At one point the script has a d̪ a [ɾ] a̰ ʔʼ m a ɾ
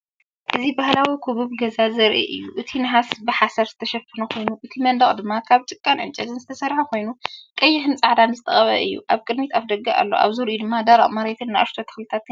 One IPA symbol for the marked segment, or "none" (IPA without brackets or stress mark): ɾ